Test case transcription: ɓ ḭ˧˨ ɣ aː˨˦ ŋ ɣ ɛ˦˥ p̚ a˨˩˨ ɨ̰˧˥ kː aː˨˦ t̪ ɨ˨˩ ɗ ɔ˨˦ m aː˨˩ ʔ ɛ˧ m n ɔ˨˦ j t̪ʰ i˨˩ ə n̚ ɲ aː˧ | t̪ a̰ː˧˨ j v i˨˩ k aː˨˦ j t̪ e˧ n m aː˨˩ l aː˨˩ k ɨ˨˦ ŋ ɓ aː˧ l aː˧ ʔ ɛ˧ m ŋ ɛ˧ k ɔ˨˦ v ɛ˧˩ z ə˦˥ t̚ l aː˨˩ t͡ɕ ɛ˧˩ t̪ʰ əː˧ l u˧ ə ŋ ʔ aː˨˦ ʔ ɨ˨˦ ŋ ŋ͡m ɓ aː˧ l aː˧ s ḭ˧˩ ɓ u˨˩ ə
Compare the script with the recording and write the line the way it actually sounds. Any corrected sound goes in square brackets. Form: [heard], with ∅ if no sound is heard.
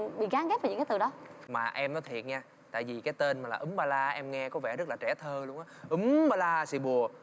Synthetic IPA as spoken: ɓ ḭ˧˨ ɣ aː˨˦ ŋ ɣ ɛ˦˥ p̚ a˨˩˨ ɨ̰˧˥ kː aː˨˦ t̪ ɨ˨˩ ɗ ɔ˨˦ m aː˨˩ ʔ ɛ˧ m n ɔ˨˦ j t̪ʰ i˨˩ ə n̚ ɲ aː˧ | t̪ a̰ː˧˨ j v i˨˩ k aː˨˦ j t̪ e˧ n m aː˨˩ l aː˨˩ [ʔ] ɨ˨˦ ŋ ɓ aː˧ l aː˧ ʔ ɛ˧ m ŋ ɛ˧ k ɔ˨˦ v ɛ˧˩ z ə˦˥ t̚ l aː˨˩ t͡ɕ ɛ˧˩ t̪ʰ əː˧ l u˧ ə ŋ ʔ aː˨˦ ʔ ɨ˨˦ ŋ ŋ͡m ɓ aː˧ l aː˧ s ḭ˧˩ ɓ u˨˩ ə

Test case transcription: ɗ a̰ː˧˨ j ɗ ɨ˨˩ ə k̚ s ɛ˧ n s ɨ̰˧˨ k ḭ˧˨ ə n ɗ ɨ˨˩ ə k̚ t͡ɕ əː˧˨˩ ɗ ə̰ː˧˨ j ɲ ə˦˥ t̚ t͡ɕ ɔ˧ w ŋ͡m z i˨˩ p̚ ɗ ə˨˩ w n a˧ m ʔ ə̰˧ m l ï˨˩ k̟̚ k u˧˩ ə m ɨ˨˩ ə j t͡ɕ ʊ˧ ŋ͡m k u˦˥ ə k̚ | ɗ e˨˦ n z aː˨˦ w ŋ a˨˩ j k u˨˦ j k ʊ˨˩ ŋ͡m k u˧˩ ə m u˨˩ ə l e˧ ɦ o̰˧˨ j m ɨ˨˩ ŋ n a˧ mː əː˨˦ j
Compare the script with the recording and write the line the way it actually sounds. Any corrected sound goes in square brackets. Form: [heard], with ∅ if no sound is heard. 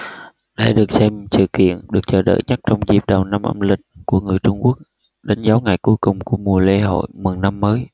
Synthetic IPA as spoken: ɗ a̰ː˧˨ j ɗ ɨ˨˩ ə k̚ s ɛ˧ [m] s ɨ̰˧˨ k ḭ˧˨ ə n ɗ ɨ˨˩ ə k̚ t͡ɕ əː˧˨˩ ɗ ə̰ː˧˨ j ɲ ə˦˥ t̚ t͡ɕ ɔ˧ w ŋ͡m z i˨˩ p̚ ɗ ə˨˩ w n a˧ m ʔ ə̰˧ m l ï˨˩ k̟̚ k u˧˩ ə [ŋ] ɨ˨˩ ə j t͡ɕ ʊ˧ ŋ͡m k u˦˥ ə k̚ | ɗ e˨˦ n z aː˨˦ w ŋ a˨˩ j k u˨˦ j k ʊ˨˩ ŋ͡m k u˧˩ ə m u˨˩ ə l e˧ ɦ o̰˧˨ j m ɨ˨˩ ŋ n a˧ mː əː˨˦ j

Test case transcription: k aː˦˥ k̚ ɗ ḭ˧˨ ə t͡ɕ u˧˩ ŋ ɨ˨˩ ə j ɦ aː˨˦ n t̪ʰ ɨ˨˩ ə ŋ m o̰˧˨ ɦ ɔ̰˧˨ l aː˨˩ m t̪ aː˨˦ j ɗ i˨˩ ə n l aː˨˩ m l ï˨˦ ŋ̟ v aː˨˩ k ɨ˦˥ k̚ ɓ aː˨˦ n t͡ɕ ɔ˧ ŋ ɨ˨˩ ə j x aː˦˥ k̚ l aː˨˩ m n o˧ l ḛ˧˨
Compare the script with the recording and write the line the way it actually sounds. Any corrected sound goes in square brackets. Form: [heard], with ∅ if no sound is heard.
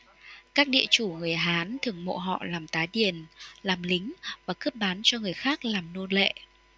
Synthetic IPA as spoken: k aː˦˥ k̚ ɗ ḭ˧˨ ə t͡ɕ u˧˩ ŋ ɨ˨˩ ə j ɦ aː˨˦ n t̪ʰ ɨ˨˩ ə ŋ m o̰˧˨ ɦ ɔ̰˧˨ l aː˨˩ m t̪ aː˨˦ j ɗ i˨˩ ə n l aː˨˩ m l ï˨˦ ŋ̟ v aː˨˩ k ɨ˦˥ [p̚] ɓ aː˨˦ n t͡ɕ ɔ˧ ŋ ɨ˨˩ ə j x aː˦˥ k̚ l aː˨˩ m n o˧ l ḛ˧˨

